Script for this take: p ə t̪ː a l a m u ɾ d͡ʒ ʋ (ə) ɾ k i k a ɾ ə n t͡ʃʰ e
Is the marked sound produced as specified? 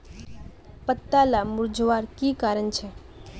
no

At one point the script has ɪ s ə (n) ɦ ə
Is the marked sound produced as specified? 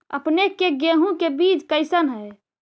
yes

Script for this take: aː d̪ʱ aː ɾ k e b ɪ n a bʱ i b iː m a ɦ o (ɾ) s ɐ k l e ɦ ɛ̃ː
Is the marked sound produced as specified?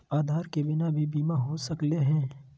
no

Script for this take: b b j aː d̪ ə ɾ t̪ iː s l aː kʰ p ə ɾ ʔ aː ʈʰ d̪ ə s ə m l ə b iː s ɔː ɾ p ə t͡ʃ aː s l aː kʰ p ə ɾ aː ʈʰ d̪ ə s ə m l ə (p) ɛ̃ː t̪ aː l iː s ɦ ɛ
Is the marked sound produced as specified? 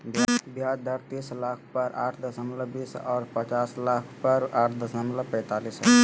yes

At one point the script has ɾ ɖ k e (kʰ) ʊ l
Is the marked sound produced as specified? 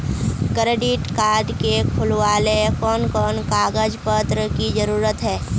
yes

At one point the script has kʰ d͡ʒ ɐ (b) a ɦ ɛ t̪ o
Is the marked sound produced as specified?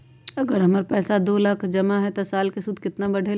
no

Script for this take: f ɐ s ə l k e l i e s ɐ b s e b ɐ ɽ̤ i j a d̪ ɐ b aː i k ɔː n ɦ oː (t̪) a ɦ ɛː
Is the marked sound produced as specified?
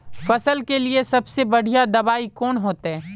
yes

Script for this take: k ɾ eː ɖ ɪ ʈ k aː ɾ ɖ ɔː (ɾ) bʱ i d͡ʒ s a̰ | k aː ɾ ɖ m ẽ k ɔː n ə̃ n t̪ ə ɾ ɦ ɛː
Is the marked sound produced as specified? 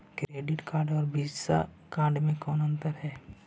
yes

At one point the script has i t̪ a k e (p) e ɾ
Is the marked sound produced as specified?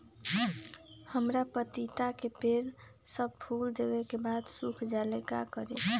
yes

